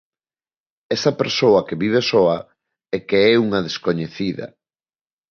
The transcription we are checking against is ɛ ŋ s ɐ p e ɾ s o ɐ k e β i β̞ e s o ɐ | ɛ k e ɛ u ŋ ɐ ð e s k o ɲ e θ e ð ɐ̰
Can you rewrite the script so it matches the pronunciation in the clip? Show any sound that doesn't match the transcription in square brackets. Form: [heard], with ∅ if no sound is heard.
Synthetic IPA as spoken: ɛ [∅] s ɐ p e ɾ s o ɐ k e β i β̞ e s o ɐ | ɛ k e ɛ u ŋ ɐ ð e s k o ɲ e θ [i] ð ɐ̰